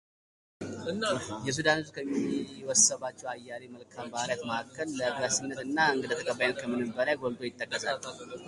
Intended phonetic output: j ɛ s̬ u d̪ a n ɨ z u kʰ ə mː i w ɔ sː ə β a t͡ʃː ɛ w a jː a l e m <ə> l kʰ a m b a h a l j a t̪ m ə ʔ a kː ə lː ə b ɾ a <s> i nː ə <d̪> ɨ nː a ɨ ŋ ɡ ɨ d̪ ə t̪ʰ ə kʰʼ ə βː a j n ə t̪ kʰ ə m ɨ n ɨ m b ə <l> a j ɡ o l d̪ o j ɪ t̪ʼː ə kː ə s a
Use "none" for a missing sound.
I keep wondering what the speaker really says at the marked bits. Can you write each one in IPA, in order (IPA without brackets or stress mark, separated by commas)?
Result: ə, s, t̪, l